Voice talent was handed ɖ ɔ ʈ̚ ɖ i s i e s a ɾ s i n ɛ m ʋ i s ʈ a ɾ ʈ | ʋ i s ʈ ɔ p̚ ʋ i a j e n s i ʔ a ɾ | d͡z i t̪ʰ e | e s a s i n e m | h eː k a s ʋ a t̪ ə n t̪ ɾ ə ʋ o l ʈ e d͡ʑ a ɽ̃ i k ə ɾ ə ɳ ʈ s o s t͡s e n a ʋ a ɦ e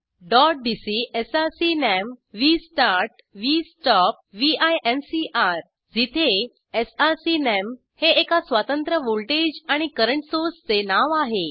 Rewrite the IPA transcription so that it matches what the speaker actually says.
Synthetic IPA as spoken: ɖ ɔ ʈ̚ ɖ i s i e s a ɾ s i n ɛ m ʋ i s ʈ a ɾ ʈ | ʋ i s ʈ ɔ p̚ ʋ i a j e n s i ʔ a ɾ | d͡z i t̪ʰ e | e s a s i n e m | h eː k a s ʋ a t̪ ə n t̪ ɾ ə ʋ o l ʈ e d͡ʑ a ɽ̃ i k ə ɾ ə ɳ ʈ s o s t͡s e n a ʋ a ɦ e